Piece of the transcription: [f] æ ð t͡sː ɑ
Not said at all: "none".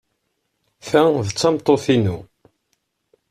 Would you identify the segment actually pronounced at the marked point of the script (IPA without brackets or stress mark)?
f